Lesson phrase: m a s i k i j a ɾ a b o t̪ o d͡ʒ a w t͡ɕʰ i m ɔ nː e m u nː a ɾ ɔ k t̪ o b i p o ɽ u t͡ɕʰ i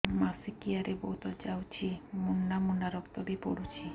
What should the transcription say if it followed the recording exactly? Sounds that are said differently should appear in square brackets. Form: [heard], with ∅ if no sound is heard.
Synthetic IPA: m a s i k i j a ɾ [e] b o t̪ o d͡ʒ a w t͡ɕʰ i m [u] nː [a] m u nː a ɾ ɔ k t̪ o b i p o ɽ u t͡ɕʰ i

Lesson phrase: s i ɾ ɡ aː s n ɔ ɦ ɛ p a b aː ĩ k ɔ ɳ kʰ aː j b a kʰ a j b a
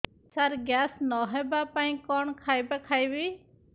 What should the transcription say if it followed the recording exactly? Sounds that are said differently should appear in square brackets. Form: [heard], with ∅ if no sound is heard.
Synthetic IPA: s [a] ɾ ɡ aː s n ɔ ɦ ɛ [b] a [p] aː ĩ k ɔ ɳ kʰ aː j b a kʰ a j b [i]

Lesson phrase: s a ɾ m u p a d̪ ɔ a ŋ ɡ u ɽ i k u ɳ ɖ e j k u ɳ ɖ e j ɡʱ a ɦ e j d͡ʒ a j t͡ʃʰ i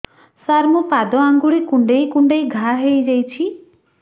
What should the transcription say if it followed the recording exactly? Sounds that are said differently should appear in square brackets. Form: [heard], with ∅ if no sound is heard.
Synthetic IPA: s a ɾ m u p a d̪ ɔ a ŋ ɡ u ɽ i k u ɳ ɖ e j k u ɳ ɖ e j ɡʱ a ɦ e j d͡ʒ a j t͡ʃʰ i

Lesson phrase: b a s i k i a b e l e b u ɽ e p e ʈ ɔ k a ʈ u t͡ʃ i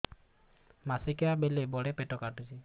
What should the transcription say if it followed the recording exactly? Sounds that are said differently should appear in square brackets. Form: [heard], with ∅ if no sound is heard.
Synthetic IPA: [m] a s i k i a b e l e b [ɔ] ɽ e p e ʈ ɔ k a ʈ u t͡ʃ i

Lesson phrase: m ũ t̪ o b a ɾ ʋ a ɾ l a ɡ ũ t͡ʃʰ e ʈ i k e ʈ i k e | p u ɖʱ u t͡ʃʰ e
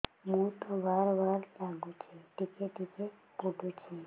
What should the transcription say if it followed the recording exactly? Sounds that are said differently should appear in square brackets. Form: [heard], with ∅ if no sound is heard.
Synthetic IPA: m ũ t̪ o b a ɾ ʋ a ɾ l a ɡ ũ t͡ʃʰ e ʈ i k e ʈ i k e | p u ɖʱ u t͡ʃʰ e

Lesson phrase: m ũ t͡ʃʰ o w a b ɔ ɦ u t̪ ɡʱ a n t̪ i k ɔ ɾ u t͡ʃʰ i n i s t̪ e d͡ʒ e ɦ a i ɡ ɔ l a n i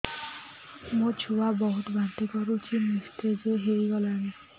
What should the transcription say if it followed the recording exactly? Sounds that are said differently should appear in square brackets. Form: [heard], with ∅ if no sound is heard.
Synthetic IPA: m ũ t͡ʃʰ [u] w a b ɔ ɦ u t̪ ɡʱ a n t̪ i k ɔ ɾ u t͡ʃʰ i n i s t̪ e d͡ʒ e ɦ [e] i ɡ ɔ l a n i

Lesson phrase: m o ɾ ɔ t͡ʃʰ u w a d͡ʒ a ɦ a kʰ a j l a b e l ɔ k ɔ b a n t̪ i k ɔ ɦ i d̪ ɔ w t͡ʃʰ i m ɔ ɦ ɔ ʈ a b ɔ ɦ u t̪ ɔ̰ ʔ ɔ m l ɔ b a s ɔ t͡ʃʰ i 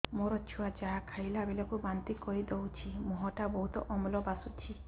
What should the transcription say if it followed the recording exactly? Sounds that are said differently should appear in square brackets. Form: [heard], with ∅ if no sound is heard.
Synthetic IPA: m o ɾ ɔ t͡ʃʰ u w a d͡ʒ a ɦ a kʰ a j l a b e l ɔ k [u] b a n t̪ i k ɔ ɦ i d̪ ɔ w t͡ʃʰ i m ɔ ɦ ɔ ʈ a b ɔ ɦ u t̪ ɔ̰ ʔ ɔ m l ɔ b a s [u] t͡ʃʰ i

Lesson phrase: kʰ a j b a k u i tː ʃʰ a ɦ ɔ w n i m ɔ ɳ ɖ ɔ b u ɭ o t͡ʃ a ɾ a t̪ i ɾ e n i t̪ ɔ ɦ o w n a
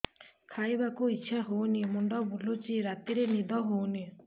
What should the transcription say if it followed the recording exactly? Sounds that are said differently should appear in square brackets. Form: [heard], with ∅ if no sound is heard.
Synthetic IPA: kʰ a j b a k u i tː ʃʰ a ɦ [o] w n i m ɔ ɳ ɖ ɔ b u [l] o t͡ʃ [i] ɾ a t̪ i ɾ e n i [d̪] ɔ ɦ o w n [i]

